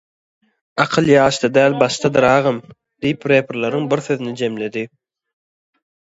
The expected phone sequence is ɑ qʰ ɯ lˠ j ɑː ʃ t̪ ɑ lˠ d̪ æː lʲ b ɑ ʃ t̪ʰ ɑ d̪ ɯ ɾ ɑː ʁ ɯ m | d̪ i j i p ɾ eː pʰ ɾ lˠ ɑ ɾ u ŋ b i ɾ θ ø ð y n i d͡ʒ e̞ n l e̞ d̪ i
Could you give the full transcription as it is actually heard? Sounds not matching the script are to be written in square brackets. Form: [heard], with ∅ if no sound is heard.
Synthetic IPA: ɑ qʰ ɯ lˠ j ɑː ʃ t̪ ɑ [∅] d̪ æː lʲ b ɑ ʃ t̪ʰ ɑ d̪ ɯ ɾ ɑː ʁ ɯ m | d̪ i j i p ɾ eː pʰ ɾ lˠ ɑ ɾ [ɯ] ŋ b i ɾ θ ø ð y n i d͡ʒ e̞ [m] l e̞ d̪ i